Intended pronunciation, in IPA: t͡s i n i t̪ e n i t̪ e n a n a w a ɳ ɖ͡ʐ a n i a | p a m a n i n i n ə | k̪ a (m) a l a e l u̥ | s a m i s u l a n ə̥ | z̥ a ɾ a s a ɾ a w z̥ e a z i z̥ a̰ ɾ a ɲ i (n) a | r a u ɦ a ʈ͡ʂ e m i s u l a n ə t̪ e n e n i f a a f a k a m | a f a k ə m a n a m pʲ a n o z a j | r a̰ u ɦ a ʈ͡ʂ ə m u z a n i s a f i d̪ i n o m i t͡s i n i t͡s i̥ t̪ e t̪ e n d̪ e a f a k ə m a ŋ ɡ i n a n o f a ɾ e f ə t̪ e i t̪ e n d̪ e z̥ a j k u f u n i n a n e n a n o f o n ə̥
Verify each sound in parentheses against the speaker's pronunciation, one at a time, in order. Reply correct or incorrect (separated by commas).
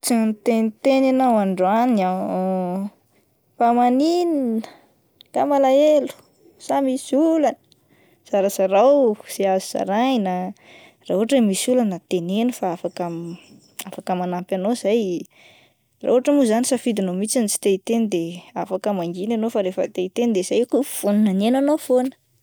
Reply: correct, correct